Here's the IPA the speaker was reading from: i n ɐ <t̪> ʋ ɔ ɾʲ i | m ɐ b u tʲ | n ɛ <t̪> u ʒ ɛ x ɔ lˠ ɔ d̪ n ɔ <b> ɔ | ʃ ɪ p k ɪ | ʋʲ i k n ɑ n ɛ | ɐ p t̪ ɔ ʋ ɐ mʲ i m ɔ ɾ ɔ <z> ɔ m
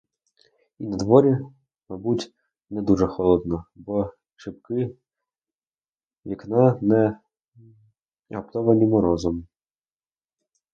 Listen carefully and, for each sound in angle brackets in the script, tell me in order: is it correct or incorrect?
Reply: incorrect: d̪, incorrect: d̪, correct, correct

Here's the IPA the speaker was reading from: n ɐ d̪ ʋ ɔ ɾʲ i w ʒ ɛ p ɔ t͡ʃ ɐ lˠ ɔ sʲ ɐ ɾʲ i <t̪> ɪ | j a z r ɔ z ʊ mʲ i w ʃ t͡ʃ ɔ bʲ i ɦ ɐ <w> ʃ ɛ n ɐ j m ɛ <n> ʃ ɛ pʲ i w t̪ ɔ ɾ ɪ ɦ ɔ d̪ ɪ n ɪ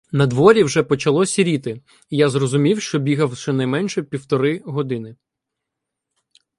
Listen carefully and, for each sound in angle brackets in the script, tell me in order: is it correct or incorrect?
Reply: correct, correct, correct

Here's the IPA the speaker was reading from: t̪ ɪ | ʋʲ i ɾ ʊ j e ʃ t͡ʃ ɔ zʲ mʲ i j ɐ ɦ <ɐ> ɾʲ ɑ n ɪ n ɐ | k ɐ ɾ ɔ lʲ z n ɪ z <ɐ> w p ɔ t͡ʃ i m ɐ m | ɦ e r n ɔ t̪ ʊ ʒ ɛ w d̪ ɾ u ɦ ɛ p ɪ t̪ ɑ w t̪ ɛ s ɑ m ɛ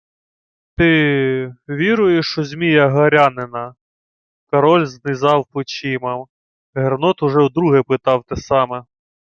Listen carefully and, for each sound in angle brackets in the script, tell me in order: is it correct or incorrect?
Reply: correct, incorrect: ɑ

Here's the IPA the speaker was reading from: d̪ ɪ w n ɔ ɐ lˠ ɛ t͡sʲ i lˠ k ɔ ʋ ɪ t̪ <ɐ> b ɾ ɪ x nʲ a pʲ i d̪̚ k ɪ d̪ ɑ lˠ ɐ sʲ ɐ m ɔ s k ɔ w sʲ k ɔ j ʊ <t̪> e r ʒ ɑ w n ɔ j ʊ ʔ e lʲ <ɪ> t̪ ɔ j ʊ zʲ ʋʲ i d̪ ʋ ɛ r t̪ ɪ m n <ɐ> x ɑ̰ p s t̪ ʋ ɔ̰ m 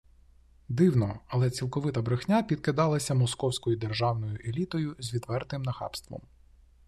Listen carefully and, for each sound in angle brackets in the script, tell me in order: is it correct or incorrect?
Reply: correct, incorrect: d̪, incorrect: i, correct

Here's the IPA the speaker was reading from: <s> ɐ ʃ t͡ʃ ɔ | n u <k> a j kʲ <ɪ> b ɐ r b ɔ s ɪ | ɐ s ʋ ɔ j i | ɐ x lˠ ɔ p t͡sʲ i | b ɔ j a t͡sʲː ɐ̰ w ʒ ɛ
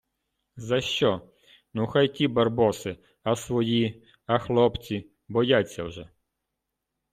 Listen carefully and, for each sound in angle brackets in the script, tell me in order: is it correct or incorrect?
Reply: incorrect: z, incorrect: x, incorrect: i

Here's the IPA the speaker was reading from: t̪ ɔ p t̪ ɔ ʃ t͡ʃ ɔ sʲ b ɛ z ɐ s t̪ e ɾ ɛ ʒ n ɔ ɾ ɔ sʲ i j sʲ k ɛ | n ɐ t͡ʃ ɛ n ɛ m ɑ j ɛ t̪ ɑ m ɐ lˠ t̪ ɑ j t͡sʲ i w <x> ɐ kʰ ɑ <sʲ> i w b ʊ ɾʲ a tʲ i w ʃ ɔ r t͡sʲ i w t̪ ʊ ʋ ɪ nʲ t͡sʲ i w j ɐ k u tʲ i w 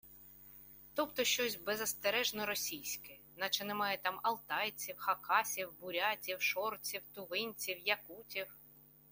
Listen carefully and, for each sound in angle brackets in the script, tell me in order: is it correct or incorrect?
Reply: correct, correct

